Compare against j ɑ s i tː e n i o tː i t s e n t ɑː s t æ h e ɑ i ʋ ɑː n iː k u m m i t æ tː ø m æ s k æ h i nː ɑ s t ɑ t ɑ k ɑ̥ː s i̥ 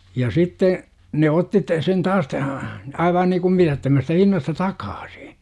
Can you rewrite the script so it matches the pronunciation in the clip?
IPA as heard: j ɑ s i tː e n e o tː i t s e n t ɑː s t æ h æ ɑ i ʋ ɑː n iː k u m m i t æ tː ø m æ s t æ h i nː ɑ s t ɑ t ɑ k ɑ̥ː s i̥